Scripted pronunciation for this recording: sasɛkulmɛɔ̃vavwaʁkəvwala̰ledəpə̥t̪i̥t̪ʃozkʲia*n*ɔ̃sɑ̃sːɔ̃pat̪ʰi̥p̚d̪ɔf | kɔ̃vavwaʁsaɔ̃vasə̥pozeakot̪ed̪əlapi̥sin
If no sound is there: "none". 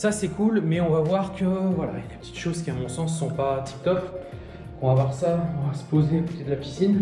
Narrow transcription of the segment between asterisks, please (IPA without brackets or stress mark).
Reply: m